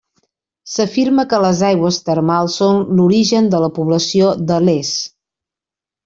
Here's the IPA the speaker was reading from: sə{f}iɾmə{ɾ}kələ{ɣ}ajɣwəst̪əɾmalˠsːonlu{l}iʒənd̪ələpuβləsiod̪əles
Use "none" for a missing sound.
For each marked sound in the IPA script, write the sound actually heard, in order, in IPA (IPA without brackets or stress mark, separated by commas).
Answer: f, none, z, ɾ